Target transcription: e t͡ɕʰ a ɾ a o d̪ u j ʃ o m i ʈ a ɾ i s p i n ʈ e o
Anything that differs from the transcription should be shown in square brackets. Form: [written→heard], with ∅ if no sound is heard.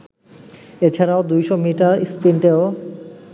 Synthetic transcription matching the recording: e t͡ɕʰ a ɾ a o d̪ u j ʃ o m i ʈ a ɾ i s p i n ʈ e o